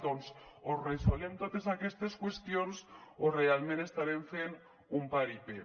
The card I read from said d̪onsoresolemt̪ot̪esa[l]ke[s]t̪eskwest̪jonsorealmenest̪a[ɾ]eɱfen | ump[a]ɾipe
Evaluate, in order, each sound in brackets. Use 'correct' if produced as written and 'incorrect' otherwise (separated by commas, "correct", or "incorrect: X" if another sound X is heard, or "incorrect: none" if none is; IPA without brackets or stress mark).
incorrect: none, correct, correct, correct